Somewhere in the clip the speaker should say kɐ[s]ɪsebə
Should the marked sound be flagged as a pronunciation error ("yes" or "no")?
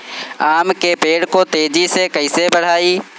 yes